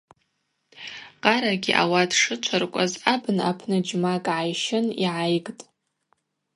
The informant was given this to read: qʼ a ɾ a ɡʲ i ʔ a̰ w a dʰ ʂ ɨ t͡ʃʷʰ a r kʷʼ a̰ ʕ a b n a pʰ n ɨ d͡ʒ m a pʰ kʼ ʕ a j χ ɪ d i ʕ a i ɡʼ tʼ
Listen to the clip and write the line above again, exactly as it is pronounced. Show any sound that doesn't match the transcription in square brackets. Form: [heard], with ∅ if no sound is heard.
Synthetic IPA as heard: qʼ a ɾ a ɡʲ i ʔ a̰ w a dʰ ʂ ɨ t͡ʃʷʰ a r kʷʼ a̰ [z] a b n a pʰ n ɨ d͡ʒ m a [∅] kʼ ʕ a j [ʃ] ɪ [n] i ʕ a [j] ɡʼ tʼ